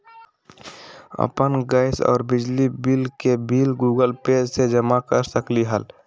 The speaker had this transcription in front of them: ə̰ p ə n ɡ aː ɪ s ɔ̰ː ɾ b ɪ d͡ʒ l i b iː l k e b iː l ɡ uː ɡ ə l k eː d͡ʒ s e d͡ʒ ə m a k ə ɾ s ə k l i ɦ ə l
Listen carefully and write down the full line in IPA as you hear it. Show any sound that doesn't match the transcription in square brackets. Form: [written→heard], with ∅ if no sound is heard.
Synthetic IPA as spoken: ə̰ p ə n ɡ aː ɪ s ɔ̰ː ɾ b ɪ d͡ʒ l i b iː l k e b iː l ɡ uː ɡ ə l [k→p] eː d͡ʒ s e d͡ʒ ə m a k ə ɾ s ə k l i ɦ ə l

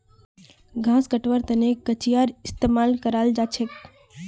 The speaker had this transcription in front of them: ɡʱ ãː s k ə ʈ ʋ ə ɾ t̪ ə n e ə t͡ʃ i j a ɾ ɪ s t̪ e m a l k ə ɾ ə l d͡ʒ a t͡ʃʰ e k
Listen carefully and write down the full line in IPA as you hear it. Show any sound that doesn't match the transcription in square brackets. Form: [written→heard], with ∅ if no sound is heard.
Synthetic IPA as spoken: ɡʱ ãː s k ə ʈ ʋ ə ɾ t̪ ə n e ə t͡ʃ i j a ɾ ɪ s t̪ e m a l k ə ɾ [ə→a] l d͡ʒ a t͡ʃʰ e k

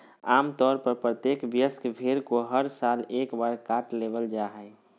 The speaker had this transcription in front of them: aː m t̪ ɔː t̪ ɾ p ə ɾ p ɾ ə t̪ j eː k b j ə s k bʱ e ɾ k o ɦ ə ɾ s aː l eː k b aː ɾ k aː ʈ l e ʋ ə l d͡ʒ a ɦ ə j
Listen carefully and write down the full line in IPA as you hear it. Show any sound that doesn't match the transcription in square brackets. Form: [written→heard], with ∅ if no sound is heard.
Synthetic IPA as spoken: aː m t̪ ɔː [t̪→∅] ɾ p ə ɾ p ɾ ə t̪ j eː k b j ə s k bʱ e ɾ k o ɦ ə ɾ s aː l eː k b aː ɾ k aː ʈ l e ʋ ə l d͡ʒ a ɦ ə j

